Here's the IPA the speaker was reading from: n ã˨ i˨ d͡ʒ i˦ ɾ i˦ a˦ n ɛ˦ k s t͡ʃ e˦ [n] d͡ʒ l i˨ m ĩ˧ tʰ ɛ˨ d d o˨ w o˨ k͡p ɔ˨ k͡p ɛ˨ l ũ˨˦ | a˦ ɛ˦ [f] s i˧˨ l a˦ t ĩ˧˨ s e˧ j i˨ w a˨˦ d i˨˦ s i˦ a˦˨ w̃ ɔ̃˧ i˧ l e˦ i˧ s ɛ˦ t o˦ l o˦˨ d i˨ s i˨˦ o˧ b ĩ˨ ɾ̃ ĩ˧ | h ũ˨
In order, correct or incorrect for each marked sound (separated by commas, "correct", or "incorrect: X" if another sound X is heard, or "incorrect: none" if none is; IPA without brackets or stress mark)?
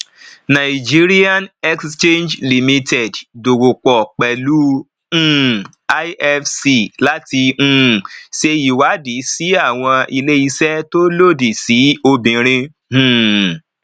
correct, correct